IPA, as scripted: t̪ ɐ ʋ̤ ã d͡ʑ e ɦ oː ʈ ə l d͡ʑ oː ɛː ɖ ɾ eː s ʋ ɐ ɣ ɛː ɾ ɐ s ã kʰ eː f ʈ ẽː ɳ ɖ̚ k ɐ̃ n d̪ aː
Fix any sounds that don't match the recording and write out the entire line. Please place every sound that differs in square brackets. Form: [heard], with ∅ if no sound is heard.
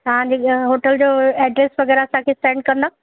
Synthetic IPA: t̪ ɐ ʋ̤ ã d͡ʑ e ɦ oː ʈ ə l d͡ʑ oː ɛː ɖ ɾ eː s ʋ ɐ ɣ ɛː ɾ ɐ s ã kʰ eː [s] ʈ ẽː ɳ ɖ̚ k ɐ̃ n d̪ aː